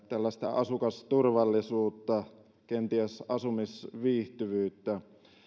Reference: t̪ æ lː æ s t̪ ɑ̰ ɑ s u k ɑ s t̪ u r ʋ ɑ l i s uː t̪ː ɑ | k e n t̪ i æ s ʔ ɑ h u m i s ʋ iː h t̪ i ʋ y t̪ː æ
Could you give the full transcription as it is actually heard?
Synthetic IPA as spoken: t̪ æ lː æ s t̪ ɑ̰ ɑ s u k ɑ s t̪ u r ʋ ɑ lː i s uː t̪ː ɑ | k e n t̪ i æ s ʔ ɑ s u m i s ʋ iː h t̪ y ʋ yː t̪ː æ